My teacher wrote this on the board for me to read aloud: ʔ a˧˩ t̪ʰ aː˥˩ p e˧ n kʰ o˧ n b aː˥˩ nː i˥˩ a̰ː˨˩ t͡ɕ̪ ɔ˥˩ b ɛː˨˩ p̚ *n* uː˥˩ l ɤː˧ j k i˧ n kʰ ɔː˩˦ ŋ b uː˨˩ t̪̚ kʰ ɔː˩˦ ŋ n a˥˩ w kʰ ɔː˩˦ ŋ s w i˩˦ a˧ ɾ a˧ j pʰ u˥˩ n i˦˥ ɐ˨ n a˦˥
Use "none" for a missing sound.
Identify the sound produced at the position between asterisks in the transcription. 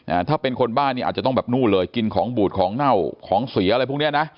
n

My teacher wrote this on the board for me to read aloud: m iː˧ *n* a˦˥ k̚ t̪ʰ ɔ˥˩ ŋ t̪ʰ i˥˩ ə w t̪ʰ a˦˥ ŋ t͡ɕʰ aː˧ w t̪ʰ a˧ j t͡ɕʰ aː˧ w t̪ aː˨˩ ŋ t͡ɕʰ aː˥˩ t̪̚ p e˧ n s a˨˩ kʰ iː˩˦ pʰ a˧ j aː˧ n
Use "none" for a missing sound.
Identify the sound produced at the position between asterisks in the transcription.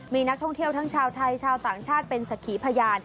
n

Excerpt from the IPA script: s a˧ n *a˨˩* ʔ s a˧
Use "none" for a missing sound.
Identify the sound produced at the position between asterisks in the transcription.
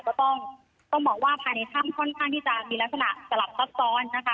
a˨˩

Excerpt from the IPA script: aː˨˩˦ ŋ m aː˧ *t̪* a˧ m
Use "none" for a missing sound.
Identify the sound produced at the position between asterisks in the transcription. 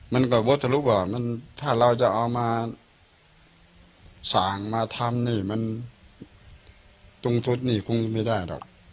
t̪ʰ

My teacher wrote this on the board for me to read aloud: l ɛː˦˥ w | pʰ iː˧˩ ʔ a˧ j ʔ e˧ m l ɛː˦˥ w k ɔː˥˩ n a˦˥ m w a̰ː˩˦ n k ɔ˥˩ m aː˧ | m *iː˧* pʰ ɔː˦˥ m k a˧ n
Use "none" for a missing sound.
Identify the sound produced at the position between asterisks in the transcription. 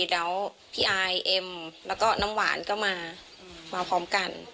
aː˧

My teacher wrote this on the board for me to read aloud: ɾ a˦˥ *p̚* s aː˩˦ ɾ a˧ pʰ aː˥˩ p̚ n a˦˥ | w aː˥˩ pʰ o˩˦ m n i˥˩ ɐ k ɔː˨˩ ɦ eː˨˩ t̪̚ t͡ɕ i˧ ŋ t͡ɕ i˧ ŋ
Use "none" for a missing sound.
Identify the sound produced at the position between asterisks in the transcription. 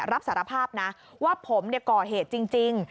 p̚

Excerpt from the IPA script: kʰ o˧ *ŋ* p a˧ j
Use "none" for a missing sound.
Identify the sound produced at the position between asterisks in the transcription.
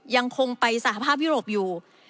ŋ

